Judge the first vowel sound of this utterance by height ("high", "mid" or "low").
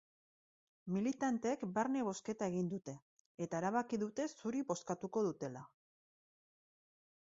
high